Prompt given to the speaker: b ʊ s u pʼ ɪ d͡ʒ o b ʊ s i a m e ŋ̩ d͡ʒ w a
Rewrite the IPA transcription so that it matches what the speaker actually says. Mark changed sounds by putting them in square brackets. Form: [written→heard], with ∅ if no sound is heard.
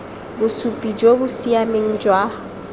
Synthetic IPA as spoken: b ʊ s u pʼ [ɪ→i] d͡ʒ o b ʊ s i a m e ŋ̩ d͡ʒ w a